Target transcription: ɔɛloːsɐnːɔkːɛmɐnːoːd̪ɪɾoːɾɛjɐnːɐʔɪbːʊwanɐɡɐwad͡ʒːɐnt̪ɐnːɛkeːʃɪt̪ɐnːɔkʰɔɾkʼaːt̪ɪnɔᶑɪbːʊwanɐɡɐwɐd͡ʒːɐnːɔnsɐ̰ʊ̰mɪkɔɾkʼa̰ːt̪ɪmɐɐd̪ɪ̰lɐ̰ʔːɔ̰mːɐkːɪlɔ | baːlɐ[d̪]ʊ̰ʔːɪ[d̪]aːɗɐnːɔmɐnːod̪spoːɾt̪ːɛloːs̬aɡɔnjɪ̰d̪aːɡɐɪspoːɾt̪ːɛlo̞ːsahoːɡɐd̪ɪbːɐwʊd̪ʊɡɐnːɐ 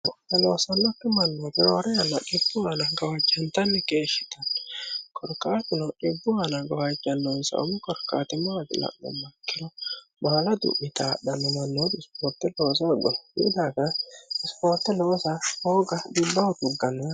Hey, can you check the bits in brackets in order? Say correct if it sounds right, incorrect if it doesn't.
correct, incorrect: t̪

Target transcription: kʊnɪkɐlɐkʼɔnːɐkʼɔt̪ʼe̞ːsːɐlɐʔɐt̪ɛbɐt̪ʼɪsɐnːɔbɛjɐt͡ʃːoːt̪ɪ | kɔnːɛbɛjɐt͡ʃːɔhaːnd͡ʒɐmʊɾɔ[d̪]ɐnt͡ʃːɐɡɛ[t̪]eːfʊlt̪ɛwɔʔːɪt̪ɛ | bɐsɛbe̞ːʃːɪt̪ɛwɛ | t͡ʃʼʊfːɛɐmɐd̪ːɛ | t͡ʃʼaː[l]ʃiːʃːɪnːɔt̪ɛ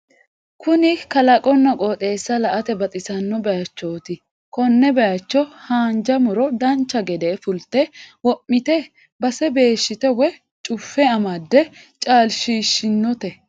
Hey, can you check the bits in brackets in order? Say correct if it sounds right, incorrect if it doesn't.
correct, incorrect: d̪, correct

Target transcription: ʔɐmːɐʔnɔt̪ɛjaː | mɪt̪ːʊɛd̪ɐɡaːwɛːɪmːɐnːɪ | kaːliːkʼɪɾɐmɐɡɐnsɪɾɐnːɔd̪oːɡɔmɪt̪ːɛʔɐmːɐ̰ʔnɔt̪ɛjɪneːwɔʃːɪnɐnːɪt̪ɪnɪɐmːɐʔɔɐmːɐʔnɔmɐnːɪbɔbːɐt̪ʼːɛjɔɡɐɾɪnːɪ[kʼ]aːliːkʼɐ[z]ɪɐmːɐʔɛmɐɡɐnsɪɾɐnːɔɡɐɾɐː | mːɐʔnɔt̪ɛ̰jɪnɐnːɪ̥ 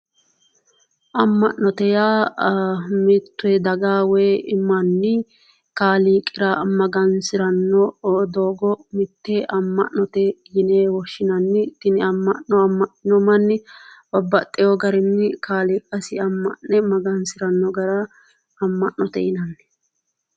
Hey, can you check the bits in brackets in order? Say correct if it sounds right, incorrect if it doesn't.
incorrect: k, incorrect: s

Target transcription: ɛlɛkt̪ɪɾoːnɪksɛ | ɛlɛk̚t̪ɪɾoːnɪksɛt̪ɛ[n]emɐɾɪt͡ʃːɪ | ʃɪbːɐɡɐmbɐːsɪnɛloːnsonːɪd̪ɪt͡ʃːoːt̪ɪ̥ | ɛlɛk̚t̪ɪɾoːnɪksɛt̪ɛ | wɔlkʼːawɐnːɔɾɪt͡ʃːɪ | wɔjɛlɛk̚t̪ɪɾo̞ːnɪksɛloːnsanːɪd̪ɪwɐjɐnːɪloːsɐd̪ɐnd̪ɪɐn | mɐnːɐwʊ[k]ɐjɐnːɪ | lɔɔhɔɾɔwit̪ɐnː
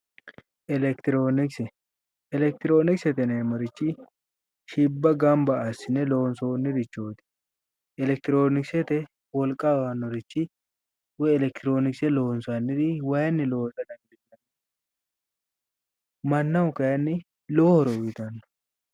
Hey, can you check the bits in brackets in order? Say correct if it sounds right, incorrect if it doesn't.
correct, correct

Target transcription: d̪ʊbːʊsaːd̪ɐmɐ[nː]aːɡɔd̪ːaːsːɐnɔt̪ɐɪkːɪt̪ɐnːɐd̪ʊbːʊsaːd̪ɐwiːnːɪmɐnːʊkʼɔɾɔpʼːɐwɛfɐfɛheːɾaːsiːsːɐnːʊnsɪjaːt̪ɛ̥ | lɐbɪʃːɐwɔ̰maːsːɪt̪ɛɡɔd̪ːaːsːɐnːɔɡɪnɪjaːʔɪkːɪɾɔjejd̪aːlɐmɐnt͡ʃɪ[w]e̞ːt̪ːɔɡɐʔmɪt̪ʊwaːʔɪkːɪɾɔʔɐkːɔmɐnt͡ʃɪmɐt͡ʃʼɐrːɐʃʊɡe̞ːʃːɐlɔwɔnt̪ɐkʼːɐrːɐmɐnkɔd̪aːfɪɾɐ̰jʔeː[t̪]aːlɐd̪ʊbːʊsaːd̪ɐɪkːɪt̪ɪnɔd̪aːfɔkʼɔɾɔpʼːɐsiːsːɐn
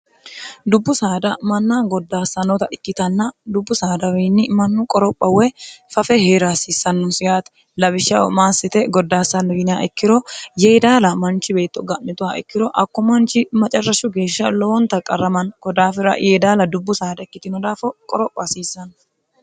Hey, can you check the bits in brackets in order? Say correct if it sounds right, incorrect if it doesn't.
correct, incorrect: b, incorrect: d̪

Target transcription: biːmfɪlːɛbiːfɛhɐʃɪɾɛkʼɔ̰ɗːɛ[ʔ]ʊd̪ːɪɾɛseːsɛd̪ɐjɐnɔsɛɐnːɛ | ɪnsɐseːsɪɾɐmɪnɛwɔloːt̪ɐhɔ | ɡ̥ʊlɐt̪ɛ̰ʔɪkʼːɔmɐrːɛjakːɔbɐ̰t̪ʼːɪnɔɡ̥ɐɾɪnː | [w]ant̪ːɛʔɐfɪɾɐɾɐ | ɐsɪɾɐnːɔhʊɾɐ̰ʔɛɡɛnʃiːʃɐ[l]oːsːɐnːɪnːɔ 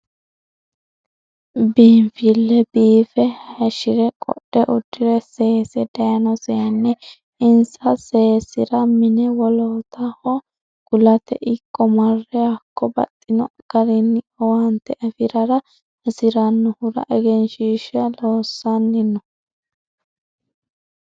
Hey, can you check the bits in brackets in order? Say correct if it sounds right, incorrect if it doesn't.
correct, correct, correct

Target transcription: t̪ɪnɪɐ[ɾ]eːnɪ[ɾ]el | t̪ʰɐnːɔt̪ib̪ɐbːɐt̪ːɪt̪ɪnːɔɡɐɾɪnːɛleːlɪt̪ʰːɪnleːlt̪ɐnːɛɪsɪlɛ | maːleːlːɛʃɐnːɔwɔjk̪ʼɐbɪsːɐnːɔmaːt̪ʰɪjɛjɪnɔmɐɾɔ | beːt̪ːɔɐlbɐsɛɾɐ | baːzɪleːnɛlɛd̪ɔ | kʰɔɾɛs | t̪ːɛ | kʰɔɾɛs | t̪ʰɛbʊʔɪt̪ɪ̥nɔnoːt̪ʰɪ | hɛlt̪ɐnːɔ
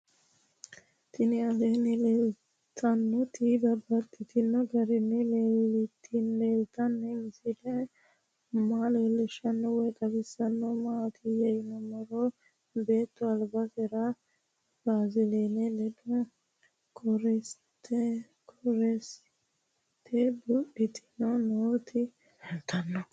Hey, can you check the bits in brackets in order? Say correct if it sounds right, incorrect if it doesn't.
incorrect: l, incorrect: l

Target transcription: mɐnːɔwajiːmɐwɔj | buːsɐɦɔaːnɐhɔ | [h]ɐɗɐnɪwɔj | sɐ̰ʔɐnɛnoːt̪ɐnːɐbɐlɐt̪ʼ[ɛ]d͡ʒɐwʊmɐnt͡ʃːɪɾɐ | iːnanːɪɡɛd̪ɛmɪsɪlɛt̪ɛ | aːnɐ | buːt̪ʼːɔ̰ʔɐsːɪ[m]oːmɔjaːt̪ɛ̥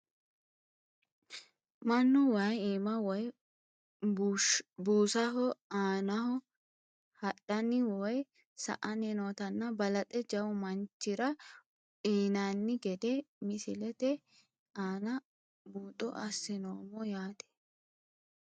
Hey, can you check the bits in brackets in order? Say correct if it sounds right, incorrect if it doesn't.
correct, correct, incorrect: n

